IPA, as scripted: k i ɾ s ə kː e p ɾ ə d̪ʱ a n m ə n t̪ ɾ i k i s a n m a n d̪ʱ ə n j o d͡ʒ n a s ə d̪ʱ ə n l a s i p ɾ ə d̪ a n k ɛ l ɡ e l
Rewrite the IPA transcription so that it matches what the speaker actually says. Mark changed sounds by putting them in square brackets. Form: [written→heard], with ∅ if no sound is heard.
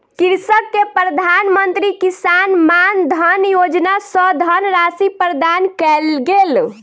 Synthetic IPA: k i ɾ s ə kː e p ɾ ə d̪ʱ a n m ə n t̪ ɾ i k i s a n m a n d̪ʱ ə n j o d͡ʒ n a s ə d̪ʱ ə n [l→ɾ] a s i p ɾ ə d̪ a n k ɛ l ɡ e l